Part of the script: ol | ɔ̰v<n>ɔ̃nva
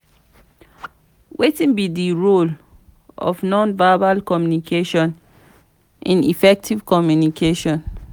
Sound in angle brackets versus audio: correct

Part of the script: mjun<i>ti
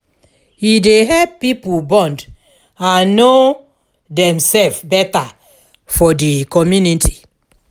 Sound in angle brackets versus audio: correct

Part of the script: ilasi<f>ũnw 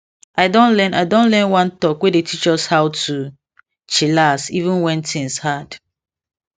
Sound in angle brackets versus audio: incorrect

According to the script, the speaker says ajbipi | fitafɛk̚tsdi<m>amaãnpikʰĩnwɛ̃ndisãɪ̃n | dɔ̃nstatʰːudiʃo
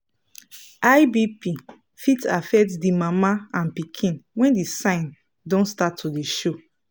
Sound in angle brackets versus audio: correct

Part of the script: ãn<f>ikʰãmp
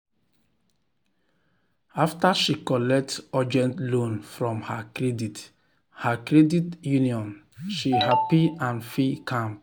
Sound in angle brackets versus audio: correct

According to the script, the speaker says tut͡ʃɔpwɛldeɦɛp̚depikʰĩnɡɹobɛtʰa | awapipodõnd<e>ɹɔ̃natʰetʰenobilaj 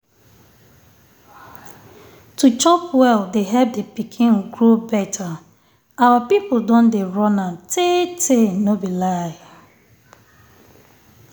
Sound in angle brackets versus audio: correct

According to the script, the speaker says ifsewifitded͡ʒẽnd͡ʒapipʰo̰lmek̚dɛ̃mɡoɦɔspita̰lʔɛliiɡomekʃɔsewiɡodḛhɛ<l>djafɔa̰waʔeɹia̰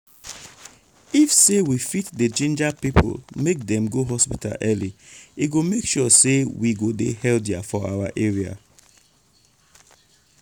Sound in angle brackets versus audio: correct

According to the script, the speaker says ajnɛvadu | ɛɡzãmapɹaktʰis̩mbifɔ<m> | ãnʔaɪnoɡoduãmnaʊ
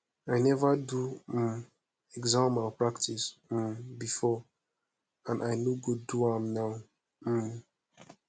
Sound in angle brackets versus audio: incorrect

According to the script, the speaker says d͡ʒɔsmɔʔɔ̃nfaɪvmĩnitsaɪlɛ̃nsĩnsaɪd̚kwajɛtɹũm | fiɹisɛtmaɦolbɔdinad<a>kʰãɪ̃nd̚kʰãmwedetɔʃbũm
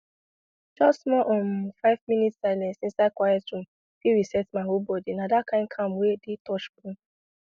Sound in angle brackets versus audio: correct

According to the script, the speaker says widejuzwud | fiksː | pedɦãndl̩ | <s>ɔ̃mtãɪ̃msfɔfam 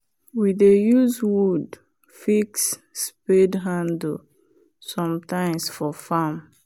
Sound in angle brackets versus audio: correct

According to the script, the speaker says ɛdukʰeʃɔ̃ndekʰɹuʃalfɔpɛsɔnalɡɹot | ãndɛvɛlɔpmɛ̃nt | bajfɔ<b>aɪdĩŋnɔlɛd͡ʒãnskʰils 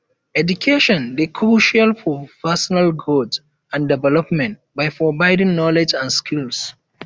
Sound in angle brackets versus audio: correct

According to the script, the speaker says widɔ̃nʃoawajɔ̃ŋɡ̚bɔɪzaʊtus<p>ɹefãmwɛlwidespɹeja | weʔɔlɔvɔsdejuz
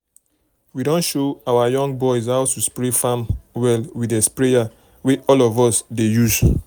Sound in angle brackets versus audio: correct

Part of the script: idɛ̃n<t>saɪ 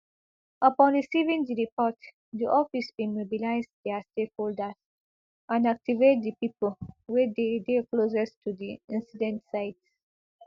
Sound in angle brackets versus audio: correct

